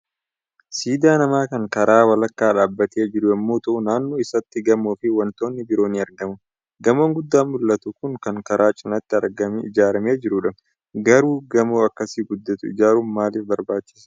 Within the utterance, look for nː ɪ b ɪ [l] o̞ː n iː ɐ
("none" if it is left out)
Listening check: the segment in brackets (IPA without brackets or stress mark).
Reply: ɾ